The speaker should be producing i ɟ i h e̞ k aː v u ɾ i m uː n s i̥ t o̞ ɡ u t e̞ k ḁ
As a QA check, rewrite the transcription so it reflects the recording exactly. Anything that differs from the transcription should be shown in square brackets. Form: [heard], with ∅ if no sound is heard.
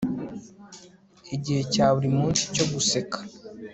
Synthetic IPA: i ɟ i h e̞ [c] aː [β] u ɾ i m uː n s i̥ [c] o̞ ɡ u [s] e̞ k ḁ